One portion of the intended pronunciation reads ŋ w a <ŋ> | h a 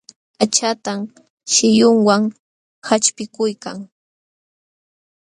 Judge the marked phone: correct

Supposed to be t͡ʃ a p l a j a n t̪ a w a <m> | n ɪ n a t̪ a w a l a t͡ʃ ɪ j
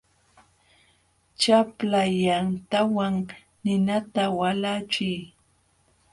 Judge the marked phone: incorrect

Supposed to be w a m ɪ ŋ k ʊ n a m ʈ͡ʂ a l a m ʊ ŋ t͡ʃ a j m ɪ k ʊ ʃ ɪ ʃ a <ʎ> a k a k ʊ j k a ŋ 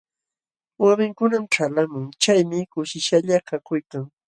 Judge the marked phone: correct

